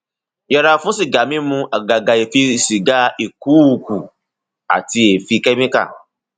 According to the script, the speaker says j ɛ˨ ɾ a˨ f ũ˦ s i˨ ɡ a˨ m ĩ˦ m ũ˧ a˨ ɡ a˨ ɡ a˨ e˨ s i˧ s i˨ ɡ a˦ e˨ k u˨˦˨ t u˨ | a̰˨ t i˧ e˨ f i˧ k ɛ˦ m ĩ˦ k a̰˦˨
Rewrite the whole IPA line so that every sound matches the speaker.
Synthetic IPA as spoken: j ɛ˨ ɾ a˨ f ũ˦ s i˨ ɡ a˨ m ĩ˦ m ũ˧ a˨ ɡ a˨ ɡ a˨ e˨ f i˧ s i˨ ɡ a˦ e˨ k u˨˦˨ k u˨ | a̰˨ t i˧ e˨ f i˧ k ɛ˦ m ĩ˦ k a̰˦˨